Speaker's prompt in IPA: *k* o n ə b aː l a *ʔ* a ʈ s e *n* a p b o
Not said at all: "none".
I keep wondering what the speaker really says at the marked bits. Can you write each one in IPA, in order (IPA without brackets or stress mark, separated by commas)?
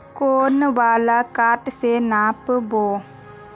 k, k, n